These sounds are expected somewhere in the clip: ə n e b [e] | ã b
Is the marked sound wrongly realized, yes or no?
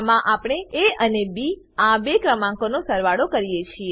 yes